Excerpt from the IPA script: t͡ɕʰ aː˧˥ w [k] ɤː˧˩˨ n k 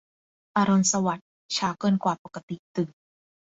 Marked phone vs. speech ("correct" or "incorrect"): correct